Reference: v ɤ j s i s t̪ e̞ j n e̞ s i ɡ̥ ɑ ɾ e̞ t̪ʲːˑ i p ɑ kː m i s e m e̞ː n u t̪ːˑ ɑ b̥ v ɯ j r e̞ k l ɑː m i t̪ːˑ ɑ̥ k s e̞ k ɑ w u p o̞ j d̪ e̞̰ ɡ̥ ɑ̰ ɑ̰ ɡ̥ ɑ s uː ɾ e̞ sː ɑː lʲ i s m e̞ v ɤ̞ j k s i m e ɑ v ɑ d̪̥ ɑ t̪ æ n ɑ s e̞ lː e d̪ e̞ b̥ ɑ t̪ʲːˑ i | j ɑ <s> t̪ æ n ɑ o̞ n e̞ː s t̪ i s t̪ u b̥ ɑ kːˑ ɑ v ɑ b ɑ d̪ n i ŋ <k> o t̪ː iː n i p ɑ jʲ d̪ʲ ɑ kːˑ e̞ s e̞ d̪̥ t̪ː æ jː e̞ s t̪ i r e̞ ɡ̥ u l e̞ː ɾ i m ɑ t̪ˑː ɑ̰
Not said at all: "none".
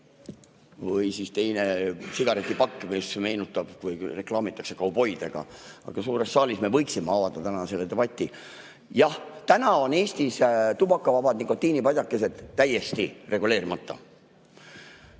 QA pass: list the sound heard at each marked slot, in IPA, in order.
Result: h, k

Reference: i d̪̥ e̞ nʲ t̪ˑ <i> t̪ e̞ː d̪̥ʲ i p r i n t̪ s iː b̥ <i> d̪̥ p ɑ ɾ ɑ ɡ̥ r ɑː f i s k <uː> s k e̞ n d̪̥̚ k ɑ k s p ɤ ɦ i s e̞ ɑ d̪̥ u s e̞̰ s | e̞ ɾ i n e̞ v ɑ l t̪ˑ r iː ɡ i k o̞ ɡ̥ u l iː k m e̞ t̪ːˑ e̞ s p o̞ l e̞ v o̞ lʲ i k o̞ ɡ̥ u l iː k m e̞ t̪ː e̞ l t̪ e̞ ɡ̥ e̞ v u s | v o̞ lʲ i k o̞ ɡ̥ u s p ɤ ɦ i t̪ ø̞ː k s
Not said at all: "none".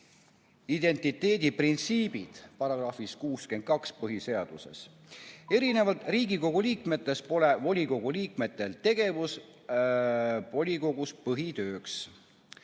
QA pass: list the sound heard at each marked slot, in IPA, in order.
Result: i, i, uː

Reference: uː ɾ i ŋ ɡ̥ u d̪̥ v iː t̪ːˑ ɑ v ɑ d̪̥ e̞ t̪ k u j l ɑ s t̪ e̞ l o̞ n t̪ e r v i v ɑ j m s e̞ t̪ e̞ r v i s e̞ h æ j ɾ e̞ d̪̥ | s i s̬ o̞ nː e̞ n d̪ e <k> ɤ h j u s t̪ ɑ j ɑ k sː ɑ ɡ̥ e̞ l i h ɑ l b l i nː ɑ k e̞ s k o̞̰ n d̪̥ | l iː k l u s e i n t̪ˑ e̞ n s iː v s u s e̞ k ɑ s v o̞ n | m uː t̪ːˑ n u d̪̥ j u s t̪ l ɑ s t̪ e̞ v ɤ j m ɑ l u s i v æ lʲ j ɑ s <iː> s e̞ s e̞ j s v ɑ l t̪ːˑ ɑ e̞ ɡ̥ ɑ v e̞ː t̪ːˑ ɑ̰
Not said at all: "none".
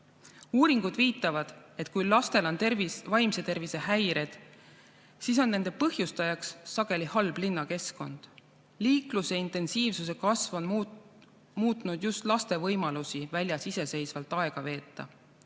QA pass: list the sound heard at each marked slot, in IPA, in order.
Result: p, i

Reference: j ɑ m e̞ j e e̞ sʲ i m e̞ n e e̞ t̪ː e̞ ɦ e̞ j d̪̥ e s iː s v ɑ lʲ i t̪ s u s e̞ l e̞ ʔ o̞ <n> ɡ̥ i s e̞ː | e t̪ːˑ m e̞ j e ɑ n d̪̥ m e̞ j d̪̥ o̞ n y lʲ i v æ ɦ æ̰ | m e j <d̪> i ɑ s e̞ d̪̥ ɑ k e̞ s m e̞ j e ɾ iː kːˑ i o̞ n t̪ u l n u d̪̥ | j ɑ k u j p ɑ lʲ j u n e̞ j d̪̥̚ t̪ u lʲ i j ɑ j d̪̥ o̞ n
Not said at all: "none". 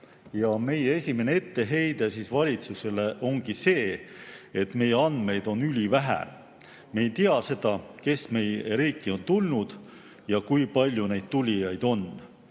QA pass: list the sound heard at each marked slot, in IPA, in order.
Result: ŋ, t̪

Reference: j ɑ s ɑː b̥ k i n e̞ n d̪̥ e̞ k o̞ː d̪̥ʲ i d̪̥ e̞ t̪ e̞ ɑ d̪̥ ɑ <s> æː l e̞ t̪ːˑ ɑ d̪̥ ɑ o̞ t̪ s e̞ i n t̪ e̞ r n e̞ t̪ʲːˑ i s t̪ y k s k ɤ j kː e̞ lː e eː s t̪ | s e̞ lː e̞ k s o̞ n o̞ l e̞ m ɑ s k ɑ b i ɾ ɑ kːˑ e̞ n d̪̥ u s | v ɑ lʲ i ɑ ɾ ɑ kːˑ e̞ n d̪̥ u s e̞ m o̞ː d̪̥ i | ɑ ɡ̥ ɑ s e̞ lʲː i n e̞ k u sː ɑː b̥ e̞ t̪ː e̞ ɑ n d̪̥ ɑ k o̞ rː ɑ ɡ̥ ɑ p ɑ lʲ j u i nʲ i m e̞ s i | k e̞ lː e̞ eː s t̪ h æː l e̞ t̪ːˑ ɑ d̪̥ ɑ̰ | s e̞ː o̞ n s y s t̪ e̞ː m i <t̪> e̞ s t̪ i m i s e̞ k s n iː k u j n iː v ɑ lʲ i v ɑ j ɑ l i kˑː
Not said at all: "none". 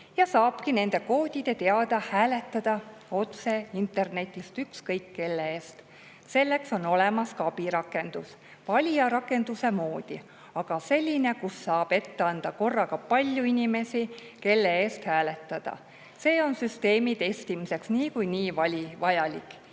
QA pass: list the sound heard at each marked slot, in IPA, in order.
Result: h, t̪

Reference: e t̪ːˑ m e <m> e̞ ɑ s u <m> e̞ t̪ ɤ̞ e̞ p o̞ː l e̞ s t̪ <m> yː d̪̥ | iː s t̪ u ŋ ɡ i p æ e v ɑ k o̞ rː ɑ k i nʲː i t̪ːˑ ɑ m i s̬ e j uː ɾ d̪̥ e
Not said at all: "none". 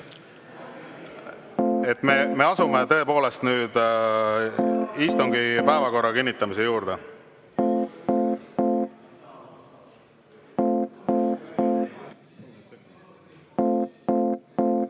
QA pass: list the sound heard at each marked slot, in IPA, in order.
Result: m, m, n

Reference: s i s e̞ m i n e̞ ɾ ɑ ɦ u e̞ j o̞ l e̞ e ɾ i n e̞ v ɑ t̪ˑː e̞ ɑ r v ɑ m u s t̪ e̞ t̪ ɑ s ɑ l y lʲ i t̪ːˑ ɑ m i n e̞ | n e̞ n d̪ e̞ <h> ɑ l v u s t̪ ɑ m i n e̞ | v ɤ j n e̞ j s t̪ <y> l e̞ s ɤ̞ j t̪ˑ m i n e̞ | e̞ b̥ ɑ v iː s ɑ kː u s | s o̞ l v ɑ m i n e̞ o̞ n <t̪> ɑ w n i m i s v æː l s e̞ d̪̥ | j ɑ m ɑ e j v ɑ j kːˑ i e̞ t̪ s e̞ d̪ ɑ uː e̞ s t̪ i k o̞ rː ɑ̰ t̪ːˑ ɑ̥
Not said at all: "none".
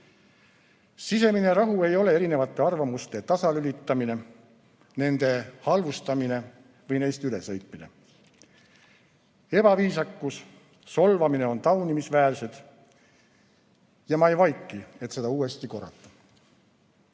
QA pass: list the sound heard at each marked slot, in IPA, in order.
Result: h, y, t̪

